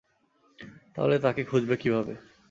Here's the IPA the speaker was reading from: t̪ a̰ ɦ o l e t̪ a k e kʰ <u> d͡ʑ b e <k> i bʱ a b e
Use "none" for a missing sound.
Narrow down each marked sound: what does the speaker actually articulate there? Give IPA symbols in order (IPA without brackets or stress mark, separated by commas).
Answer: u, k